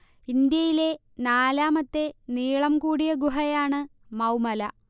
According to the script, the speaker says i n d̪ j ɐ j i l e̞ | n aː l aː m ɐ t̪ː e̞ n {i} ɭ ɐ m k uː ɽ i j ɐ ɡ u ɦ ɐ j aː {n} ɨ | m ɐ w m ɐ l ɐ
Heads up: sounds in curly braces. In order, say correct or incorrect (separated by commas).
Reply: incorrect, incorrect